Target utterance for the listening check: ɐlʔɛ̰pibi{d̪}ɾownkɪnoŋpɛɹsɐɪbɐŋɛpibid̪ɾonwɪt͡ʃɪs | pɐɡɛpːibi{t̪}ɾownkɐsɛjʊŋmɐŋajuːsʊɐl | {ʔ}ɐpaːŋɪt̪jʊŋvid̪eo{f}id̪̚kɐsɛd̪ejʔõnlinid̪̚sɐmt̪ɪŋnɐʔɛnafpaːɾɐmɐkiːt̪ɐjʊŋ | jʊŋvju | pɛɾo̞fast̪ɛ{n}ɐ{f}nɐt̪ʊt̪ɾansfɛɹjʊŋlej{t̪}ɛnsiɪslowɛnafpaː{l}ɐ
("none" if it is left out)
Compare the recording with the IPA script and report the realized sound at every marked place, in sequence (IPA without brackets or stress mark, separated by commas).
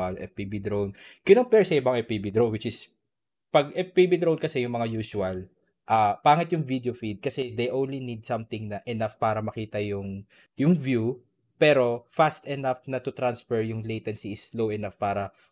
d̪, d̪, ʔ, f, n, f, t̪, ɾ